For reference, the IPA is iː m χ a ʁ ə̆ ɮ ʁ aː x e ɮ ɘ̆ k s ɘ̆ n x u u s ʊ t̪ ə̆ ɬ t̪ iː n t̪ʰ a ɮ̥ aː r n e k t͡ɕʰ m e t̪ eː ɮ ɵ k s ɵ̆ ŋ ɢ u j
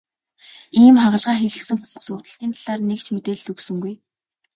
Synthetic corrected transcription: iː m χ a ʁ ə̆ ɮ ʁ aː x e ɮ ɘ̆ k s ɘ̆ ŋ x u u s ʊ t̪ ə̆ ɬ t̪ iː n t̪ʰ a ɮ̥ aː r n e k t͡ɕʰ m e t̪ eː ɮ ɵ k s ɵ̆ ŋ ɡ u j